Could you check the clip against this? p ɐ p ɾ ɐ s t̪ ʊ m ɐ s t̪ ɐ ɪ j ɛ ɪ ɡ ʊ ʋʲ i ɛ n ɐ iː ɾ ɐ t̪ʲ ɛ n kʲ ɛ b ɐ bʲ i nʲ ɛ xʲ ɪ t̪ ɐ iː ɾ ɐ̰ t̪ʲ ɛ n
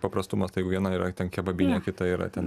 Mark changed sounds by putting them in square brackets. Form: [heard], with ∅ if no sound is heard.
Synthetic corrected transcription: p ɐ p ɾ ɐ s t̪ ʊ m ɐ s t̪ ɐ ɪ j ɛ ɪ ɡ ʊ ʋʲ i ɛ n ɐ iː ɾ ɐ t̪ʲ ɛ n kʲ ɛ b ɐ bʲ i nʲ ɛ [kʲ] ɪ t̪ ɐ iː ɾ ɐ̰ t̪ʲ ɛ n

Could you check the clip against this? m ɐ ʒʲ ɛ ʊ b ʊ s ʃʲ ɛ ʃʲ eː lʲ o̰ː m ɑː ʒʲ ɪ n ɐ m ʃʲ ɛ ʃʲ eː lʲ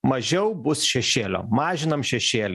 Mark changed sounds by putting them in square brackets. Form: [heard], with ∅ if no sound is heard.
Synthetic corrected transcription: m ɐ ʒʲ ɛ ʊ b ʊ s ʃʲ ɛ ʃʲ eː lʲ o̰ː m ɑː ʒʲ ɪ n ɐ m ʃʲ ɛ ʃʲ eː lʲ

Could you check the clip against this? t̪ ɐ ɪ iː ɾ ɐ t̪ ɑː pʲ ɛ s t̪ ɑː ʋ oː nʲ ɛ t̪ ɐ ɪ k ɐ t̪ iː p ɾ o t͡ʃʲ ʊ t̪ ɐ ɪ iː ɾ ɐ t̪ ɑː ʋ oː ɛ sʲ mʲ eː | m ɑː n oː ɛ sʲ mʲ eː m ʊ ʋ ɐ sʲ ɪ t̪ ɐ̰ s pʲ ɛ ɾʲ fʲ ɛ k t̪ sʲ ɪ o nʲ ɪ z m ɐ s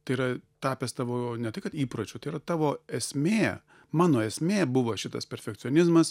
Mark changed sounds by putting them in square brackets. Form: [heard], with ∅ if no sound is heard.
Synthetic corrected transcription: t̪ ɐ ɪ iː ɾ ɐ t̪ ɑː pʲ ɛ s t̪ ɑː ʋ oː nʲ ɛ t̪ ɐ ɪ k ɐ t̪ iː p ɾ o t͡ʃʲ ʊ t̪ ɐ ɪ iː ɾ ɐ t̪ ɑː ʋ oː ɛ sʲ mʲ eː | m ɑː n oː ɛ sʲ mʲ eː [b] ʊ ʋ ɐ [ʃʲ] ɪ t̪ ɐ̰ s pʲ ɛ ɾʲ fʲ ɛ k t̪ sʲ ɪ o nʲ ɪ z m ɐ s

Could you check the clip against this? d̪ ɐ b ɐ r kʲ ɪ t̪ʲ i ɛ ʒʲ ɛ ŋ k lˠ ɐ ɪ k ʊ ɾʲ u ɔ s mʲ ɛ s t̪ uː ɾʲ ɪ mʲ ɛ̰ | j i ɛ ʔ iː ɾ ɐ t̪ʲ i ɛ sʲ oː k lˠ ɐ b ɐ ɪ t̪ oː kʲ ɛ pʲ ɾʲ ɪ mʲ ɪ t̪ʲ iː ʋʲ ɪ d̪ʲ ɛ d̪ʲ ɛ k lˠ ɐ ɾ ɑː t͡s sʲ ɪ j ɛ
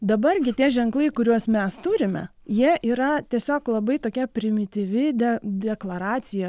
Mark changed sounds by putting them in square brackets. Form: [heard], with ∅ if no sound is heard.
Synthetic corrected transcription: d̪ ɐ b ɐ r [ɡʲ] ɪ t̪ʲ i ɛ ʒʲ ɛ ŋ k lˠ ɐ ɪ k ʊ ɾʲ u ɔ s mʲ ɛ s t̪ uː ɾʲ ɪ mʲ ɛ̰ | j i ɛ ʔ iː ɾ ɐ t̪ʲ i ɛ sʲ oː k lˠ ɐ b ɐ ɪ t̪ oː kʲ ɛ pʲ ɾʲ ɪ mʲ ɪ t̪ʲ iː ʋʲ ɪ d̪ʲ ɛ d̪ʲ ɛ k lˠ ɐ ɾ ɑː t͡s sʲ ɪ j ɛ

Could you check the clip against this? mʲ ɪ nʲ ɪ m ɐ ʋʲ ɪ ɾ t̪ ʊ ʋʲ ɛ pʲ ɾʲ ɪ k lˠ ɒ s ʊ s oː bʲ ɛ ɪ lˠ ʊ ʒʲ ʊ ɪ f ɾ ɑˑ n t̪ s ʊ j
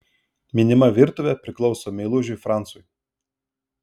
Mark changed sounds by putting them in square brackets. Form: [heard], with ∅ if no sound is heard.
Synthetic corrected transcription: mʲ ɪ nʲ ɪ m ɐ ʋʲ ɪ ɾ t̪ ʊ ʋʲ ɛ pʲ ɾʲ ɪ k lˠ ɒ [∅] ʊ s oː [mʲ] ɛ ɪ lˠ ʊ ʒʲ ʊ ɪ f ɾ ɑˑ n t̪ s ʊ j

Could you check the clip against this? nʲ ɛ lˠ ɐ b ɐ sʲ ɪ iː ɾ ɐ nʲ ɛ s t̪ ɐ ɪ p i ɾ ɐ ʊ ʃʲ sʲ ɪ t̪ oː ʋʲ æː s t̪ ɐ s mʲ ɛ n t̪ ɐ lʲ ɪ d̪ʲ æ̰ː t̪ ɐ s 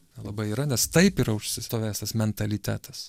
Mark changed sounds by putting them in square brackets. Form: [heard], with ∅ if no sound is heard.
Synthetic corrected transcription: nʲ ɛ lˠ ɐ b ɐ [∅] ɪ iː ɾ ɐ nʲ ɛ s t̪ ɐ ɪ p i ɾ ɐ ʊ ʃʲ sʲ ɪ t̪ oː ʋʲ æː s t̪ ɐ s mʲ ɛ n t̪ ɐ lʲ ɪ [t̪ʲ] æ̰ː t̪ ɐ s

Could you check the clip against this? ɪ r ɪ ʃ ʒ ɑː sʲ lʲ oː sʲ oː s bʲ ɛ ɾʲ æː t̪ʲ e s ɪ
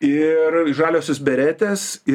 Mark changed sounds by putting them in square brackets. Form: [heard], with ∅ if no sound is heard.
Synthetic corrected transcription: ɪ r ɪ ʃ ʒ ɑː [∅] lʲ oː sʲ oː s bʲ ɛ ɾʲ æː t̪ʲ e s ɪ

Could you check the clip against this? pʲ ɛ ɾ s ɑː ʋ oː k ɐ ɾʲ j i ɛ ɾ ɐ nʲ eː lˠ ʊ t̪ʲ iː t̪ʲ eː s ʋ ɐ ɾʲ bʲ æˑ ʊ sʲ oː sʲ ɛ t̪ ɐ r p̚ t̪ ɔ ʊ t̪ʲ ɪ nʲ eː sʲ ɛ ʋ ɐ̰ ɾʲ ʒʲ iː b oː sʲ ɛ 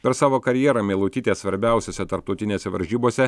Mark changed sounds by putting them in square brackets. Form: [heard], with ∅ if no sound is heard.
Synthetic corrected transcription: pʲ ɛ ɾ s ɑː ʋ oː k ɐ ɾʲ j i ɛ ɾ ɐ [mʲ] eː lˠ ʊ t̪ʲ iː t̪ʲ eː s ʋ ɐ ɾʲ bʲ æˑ ʊ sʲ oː sʲ ɛ t̪ ɐ [ɾ] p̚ t̪ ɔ ʊ t̪ʲ ɪ nʲ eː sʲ ɛ ʋ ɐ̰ ɾʲ ʒʲ iː b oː sʲ ɛ

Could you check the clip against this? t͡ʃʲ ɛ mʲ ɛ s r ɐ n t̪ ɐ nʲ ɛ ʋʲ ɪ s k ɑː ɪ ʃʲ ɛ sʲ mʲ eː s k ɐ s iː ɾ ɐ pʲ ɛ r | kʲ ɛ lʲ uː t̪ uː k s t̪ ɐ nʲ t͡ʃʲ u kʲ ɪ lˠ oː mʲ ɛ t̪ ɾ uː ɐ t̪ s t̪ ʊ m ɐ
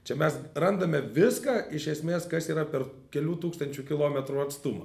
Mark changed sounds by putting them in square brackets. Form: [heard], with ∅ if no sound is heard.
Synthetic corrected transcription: t͡ʃʲ ɛ mʲ ɛ s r ɐ n [d̪] ɐ [mʲ] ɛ ʋʲ ɪ s k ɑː ɪ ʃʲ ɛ sʲ mʲ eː s k ɐ s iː ɾ ɐ pʲ ɛ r | kʲ ɛ lʲ uː t̪ uː k s t̪ ɐ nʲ t͡ʃʲ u kʲ ɪ lˠ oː mʲ ɛ t̪ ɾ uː ɐ t̪ s t̪ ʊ m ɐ

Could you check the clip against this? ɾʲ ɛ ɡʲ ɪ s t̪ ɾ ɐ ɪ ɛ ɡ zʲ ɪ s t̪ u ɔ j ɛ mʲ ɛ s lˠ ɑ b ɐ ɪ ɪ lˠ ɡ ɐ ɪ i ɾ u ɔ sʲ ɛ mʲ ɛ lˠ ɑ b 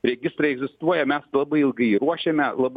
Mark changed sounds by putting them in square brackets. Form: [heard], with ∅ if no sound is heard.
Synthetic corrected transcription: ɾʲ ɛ ɡʲ ɪ s t̪ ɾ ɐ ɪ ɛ ɡ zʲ ɪ s t̪ u ɔ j ɛ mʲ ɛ s lˠ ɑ b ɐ ɪ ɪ lˠ ɡ ɐ ɪ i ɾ u ɔ [ʃʲ] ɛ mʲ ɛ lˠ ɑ b

